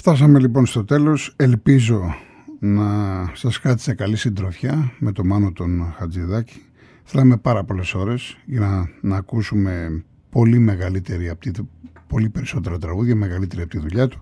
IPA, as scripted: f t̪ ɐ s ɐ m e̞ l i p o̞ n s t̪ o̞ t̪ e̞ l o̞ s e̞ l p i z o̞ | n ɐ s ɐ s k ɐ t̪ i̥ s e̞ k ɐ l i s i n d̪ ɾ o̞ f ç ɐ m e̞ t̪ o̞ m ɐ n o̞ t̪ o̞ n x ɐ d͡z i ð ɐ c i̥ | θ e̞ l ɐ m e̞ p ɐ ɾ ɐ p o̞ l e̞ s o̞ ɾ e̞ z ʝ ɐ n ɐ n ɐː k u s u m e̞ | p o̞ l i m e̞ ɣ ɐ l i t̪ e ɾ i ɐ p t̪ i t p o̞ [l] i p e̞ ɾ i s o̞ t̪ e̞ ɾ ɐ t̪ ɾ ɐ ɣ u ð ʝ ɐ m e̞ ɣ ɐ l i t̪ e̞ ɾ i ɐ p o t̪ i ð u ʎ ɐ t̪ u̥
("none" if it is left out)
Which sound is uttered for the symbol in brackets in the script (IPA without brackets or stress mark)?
l